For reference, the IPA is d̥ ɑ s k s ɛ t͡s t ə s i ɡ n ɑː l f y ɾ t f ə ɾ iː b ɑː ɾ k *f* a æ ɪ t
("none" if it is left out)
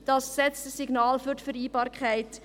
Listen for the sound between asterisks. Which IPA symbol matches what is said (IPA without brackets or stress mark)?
χ